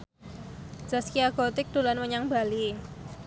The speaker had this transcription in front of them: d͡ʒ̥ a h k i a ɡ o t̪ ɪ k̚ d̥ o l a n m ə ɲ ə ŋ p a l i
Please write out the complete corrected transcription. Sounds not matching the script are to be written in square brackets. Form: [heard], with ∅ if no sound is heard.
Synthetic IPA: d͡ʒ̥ a [s] k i a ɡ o t̪ ɪ k̚ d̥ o l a n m ə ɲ [a] ŋ [b] a l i

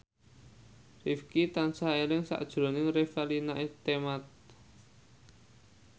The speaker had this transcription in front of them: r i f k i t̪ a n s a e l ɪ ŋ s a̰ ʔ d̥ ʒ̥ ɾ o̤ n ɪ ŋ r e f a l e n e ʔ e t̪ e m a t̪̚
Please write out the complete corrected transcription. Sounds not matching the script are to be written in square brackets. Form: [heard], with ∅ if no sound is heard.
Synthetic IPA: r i f k i t̪ a n s a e l ɪ ŋ s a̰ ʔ d̥ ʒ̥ ɾ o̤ n ɪ ŋ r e f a l [i] n [a] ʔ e t̪ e m a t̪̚

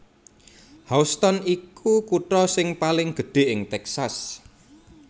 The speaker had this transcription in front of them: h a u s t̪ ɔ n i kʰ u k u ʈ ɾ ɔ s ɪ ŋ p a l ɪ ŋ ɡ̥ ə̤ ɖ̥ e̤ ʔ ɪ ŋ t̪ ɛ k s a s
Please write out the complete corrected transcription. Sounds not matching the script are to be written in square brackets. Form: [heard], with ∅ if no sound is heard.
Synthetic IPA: h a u s t̪ ɔ n i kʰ u k u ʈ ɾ ɔ s ɪ ŋ p a l ɪ ŋ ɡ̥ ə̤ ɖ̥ e̤ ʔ ɪ ŋ t̪ ɛ k s a s

